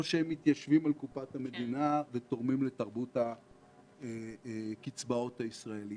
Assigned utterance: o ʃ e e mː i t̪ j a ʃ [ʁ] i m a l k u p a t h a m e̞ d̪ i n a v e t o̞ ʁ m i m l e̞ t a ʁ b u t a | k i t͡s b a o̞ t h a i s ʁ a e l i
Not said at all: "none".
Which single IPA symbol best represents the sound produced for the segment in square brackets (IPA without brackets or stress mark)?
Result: v